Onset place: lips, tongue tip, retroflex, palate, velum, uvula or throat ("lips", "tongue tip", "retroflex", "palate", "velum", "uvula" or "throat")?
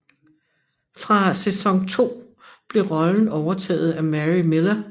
lips